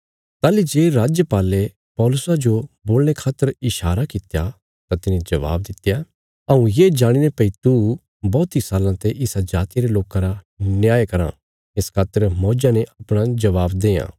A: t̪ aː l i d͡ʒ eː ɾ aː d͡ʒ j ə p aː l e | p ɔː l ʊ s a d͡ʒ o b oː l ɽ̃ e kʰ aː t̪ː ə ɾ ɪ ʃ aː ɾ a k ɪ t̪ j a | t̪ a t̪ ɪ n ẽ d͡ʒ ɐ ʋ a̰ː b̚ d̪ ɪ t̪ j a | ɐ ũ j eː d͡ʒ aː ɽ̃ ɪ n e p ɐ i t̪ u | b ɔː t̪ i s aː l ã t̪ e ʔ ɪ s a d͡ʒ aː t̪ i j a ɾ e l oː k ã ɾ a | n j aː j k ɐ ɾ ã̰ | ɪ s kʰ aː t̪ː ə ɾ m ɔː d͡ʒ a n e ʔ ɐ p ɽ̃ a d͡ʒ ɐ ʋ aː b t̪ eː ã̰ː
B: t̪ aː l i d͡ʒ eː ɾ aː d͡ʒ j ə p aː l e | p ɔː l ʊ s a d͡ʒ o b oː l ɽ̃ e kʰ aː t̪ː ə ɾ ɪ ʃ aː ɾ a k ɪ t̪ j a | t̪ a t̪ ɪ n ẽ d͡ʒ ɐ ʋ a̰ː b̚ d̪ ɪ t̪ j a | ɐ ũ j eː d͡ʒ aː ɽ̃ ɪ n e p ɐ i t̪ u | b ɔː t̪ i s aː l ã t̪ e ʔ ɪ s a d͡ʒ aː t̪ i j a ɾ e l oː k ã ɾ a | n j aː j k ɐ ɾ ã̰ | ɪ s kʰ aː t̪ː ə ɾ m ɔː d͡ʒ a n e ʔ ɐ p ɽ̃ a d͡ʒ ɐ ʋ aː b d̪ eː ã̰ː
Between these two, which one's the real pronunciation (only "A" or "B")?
B